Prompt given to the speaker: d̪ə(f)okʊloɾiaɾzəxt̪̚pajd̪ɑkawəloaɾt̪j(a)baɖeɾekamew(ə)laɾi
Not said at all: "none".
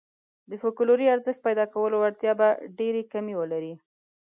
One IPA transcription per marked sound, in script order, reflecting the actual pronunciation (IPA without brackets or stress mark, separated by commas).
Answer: f, ɑ, ə